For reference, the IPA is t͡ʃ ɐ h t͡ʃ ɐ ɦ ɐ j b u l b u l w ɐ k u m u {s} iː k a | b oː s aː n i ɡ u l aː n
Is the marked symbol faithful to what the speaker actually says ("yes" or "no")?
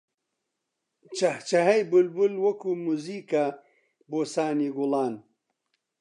no